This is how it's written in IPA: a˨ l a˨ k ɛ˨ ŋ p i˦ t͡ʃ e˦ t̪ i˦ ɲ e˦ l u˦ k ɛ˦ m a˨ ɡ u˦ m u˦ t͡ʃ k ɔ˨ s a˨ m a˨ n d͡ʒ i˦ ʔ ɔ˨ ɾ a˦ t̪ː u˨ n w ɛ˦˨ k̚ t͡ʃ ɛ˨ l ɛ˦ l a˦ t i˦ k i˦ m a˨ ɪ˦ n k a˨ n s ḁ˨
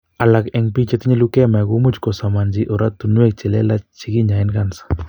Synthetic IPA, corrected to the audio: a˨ l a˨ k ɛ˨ ŋ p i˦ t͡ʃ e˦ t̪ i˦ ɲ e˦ l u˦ k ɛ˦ m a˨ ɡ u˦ m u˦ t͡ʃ k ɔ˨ s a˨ m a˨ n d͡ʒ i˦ ʔ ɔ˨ ɾ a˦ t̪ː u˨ n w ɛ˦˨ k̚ t͡ʃ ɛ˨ l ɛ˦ l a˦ t͡ʃ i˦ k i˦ ɲ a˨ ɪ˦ n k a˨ n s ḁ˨